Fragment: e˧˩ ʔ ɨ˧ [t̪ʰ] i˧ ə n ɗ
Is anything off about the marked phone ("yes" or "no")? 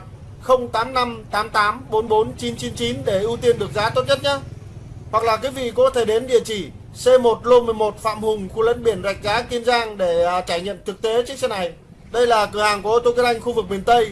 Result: yes